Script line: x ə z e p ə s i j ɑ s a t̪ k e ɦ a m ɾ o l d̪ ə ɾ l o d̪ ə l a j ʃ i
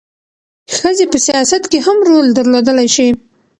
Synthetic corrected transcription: x ə z e p ə s i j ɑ s a t̪ k e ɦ a m ɾ o l d̪ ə ɾ l o d̪ ə l a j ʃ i